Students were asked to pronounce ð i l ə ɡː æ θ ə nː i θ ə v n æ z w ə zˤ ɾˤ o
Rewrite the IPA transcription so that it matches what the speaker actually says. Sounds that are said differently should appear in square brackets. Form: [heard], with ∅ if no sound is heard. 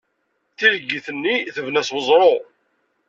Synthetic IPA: [θ] i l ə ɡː [i] θ ə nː i θ ə v n æ [s] w ə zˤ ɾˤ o